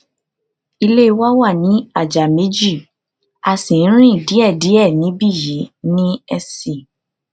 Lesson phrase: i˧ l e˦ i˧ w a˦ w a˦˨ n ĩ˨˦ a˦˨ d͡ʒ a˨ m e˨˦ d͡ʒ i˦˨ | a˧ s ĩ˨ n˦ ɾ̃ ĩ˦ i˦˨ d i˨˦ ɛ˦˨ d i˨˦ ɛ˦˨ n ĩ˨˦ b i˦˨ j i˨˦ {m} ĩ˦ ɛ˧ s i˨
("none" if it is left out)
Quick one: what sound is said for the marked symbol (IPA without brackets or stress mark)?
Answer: n